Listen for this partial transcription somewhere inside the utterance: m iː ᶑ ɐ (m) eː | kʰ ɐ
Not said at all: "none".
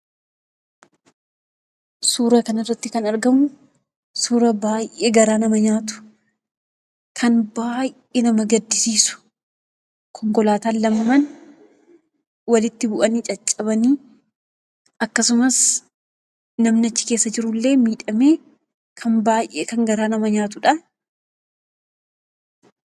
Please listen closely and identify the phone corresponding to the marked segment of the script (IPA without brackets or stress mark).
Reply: m